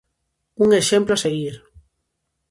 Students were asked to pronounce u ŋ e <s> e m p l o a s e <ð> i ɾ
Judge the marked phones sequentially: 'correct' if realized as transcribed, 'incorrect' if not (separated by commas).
incorrect, incorrect